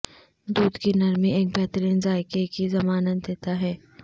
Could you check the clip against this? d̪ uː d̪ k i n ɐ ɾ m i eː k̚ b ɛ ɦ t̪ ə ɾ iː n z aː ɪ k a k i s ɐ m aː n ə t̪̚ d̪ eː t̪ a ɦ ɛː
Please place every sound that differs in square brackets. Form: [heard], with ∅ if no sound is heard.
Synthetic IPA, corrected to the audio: d̪ uː d̪ k i n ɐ ɾ m i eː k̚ b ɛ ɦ t̪ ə ɾ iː n z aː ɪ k [e] k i [z] ɐ m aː n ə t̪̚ d̪ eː t̪ a ɦ ɛː